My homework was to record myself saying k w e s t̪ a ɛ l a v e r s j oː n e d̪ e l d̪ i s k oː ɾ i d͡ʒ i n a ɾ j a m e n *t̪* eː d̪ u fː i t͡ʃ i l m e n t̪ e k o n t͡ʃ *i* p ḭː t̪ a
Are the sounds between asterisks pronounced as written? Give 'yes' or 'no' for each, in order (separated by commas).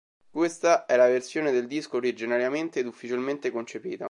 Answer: yes, no